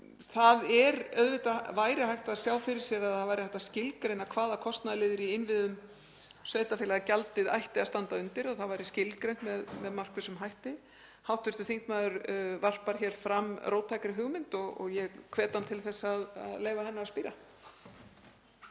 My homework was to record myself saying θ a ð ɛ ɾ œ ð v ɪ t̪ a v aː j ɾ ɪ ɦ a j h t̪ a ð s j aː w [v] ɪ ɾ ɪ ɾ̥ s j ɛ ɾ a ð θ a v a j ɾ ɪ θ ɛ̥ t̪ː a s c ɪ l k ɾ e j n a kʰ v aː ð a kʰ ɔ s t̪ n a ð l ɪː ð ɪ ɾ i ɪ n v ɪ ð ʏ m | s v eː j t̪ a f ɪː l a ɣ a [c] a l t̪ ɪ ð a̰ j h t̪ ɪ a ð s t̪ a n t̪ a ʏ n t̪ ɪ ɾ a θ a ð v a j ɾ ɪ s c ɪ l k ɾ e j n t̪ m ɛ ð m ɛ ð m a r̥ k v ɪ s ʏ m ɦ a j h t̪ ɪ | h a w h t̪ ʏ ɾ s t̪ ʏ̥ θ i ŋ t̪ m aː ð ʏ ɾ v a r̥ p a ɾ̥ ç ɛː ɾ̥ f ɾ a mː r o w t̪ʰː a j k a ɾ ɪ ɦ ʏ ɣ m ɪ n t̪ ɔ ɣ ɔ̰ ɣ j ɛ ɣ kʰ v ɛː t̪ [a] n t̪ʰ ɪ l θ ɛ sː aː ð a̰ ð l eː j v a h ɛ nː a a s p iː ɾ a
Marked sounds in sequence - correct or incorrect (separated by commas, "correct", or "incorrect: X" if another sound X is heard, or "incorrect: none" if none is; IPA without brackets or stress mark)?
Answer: incorrect: f, correct, correct